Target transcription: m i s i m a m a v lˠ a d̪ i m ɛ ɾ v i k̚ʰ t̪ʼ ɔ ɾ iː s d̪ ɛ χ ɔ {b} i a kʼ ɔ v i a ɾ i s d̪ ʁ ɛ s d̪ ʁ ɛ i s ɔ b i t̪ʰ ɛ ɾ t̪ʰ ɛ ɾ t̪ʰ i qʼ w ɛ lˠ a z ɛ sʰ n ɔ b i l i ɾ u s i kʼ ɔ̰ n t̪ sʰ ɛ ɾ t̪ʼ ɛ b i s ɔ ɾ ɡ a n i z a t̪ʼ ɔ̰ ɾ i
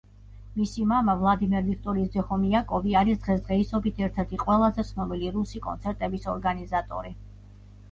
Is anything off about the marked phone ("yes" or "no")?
yes